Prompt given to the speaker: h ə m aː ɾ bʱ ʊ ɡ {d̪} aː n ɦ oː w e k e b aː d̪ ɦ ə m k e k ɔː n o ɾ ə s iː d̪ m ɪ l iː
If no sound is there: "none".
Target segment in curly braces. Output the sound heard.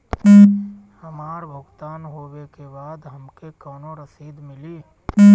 t̪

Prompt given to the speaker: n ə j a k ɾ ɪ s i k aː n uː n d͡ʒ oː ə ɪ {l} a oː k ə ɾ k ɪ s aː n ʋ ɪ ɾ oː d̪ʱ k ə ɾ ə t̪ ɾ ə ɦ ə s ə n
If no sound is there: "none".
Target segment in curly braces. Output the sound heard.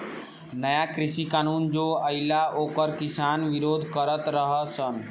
l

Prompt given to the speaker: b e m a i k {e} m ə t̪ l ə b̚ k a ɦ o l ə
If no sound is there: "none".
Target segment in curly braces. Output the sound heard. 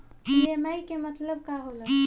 e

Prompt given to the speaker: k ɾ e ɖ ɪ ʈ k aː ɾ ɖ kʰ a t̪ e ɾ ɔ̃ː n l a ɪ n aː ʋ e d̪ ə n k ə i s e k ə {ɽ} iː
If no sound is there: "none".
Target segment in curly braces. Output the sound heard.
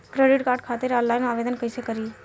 ɾ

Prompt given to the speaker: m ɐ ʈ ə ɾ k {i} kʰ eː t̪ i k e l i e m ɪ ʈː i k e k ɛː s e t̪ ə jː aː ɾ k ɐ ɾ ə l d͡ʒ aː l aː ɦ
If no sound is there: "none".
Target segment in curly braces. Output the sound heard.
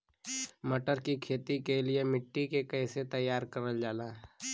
i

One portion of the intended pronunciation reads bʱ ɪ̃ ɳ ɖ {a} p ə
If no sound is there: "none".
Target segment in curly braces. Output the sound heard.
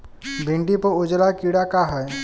i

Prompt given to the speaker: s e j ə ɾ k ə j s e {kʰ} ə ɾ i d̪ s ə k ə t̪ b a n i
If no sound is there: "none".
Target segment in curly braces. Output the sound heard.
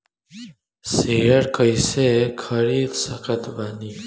kʰ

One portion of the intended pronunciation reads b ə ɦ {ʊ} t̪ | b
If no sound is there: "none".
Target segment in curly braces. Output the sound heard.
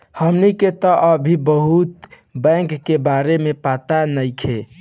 u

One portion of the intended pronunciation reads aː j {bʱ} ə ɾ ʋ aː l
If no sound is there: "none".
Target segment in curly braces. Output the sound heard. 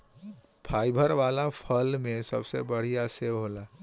bʱ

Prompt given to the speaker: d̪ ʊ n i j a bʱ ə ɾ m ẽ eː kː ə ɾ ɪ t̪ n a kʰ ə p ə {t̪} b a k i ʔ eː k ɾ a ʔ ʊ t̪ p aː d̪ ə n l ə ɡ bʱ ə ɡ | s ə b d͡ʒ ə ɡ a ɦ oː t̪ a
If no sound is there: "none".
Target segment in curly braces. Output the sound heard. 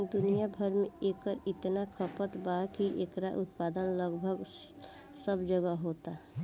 t̪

